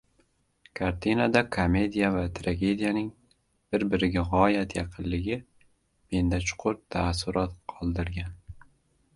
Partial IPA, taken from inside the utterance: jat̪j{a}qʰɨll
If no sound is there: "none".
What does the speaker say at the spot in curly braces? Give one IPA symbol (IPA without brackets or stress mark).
ɑ